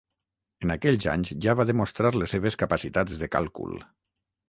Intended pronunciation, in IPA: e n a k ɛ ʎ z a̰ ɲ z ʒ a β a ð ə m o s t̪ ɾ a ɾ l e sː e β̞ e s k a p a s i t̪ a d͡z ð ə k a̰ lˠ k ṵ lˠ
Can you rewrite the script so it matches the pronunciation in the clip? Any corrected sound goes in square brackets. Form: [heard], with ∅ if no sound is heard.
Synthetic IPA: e n a k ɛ ʎ z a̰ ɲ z ʒ a β a ð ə m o s t̪ ɾ a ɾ l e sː e β̞ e s k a p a s i t̪ a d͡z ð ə k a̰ lˠ k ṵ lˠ